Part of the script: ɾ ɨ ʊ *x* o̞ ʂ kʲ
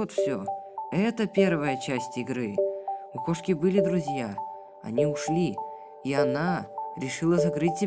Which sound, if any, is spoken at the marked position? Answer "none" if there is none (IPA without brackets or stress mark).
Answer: k